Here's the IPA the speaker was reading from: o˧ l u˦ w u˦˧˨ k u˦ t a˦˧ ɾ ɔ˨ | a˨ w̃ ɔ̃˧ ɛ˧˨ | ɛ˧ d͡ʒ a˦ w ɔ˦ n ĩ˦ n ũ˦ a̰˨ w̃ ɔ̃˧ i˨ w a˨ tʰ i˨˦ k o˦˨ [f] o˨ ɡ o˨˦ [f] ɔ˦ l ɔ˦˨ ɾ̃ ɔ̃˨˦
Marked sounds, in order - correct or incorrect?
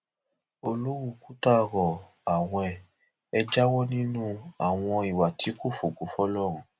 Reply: correct, correct

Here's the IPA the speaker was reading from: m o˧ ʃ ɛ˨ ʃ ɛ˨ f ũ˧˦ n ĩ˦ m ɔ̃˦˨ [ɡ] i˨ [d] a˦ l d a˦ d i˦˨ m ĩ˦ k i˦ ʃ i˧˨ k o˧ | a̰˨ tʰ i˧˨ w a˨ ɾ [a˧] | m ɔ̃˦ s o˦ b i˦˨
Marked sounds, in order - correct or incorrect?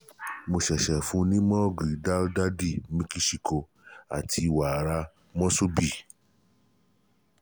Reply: correct, correct, correct

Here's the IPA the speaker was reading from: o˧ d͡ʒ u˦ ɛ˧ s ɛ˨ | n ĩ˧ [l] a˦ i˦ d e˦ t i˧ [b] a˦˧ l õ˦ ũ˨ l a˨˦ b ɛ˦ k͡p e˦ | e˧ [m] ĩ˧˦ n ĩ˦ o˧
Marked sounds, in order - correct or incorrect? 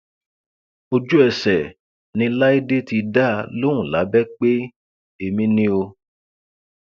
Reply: correct, incorrect: d, correct

